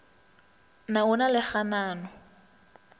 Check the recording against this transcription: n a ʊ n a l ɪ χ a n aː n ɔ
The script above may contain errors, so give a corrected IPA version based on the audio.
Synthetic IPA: n a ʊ n a l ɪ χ a n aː n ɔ